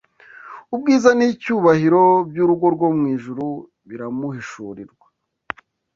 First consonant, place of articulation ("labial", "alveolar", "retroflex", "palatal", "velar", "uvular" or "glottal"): labial